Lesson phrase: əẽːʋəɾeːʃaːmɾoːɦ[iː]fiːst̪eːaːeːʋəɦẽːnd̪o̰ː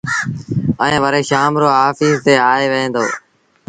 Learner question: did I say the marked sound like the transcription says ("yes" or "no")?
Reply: no